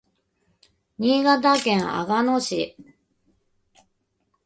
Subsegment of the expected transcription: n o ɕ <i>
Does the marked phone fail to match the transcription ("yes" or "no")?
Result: no